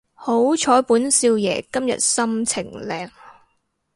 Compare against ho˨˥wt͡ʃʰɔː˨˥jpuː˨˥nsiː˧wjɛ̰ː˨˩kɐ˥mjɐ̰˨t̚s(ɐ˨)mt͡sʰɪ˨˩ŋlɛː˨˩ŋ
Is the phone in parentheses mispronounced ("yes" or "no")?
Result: yes